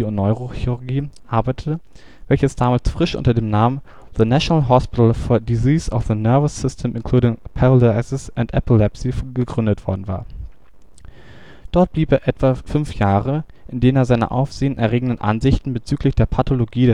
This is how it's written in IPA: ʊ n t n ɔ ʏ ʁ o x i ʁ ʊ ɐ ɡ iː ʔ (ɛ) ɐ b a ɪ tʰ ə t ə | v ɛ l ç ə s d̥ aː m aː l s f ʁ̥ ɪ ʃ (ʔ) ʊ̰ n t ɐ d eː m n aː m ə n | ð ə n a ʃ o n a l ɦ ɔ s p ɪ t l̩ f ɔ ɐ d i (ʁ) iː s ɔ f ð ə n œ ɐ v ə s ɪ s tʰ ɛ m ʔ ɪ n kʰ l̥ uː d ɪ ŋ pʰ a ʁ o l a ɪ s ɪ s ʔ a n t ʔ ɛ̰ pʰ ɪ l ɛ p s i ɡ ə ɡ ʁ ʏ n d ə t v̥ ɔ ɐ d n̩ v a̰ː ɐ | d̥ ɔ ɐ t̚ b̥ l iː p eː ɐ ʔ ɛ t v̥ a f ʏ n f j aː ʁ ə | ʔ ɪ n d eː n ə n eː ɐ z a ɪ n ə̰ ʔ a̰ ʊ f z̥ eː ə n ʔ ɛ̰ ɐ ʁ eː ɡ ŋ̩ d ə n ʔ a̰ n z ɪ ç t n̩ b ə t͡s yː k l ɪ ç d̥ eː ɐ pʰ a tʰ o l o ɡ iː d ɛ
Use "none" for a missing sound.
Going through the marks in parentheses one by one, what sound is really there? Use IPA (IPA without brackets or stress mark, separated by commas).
a, ʔ, z